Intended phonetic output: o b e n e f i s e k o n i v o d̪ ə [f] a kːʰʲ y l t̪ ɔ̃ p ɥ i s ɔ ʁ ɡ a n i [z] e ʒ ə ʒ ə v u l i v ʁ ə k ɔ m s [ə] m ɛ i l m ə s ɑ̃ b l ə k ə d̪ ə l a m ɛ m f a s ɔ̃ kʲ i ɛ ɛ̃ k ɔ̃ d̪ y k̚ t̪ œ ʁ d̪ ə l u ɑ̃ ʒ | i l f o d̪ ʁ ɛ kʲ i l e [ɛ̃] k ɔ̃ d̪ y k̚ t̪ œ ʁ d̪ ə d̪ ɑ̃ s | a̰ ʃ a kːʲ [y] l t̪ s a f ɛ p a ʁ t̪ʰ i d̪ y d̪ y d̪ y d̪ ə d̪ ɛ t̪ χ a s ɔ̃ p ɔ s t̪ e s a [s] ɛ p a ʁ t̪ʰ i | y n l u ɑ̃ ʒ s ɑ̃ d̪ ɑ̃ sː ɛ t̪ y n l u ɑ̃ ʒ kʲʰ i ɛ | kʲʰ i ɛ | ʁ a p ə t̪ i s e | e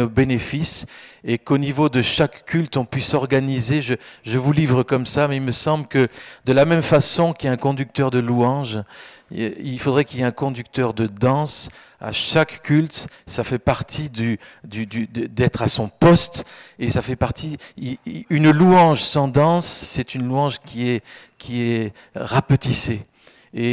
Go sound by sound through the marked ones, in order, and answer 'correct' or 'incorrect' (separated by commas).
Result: incorrect, correct, incorrect, correct, correct, incorrect